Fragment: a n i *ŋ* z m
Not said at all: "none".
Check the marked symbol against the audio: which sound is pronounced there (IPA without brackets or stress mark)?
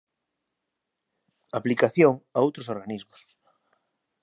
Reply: none